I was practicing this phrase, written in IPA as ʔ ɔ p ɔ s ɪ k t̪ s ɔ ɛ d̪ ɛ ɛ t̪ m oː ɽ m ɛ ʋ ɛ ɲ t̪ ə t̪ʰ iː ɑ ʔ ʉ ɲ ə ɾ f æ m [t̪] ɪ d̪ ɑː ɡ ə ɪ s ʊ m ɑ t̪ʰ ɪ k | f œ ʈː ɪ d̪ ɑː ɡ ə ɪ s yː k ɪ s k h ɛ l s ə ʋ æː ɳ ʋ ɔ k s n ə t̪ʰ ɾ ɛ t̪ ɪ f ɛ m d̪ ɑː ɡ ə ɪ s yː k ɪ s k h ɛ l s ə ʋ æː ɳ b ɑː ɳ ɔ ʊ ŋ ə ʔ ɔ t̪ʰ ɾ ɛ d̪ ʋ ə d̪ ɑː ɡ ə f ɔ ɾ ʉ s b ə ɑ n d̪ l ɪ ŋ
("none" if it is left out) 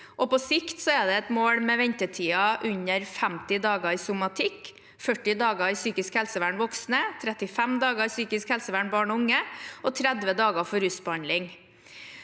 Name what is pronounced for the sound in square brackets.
t̪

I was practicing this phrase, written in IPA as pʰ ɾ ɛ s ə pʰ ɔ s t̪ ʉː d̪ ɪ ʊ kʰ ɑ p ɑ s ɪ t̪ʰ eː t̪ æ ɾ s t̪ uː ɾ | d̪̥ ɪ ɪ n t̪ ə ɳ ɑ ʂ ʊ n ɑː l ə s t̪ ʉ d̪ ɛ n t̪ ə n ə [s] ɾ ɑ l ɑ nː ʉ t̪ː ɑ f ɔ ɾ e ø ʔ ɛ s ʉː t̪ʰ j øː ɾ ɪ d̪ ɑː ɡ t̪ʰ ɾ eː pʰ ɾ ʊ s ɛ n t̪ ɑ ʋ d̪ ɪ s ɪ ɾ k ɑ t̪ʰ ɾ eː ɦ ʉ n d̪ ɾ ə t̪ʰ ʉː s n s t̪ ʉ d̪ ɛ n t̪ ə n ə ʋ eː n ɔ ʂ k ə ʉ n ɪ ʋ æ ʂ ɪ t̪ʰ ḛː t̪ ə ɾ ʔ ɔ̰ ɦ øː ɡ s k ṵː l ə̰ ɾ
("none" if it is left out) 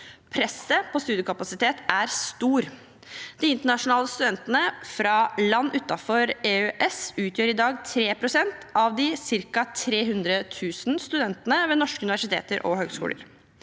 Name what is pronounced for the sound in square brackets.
f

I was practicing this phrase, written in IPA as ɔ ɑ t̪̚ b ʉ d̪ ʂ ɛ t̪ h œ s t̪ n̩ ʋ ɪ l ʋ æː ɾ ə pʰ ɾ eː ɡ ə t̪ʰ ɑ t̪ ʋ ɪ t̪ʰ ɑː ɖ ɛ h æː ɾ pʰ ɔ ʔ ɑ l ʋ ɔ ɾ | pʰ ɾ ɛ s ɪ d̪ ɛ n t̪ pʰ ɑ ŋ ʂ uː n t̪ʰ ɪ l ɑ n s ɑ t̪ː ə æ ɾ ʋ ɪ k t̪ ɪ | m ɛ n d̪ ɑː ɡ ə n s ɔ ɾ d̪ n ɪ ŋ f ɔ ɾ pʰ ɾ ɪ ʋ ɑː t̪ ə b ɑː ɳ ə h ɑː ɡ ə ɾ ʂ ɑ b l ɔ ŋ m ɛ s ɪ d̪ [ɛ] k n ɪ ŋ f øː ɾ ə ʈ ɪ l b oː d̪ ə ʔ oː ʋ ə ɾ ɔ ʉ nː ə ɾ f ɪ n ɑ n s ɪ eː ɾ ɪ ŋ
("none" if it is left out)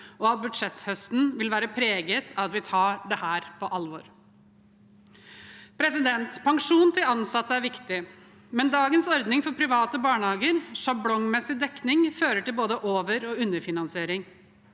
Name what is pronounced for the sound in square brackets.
ɛ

